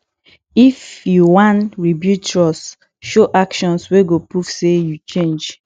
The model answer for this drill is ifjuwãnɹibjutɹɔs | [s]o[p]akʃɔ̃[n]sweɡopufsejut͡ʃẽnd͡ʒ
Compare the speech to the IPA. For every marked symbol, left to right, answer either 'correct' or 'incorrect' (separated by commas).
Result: incorrect, incorrect, correct